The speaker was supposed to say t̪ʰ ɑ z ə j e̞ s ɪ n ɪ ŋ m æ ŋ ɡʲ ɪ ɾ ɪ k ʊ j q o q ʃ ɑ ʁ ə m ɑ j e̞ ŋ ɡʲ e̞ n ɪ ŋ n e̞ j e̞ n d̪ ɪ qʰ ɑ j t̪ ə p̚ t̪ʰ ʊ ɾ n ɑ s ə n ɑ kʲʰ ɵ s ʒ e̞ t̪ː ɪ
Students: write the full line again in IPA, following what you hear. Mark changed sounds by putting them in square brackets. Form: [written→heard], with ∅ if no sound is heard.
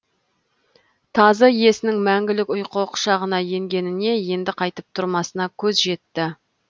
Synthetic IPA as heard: t̪ʰ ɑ z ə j e̞ s ɪ n ɪ ŋ m æ ŋ ɡʲ ɪ [ɾ→l] ɪ k ʊ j q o q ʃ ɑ ʁ ə [m→n] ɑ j e̞ ŋ ɡʲ e̞ n ɪ [ŋ→∅] n e̞ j e̞ n d̪ ɪ qʰ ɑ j t̪ ə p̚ t̪ʰ ʊ ɾ [n→m] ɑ s ə n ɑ kʲʰ ɵ [s→z] ʒ e̞ t̪ː ɪ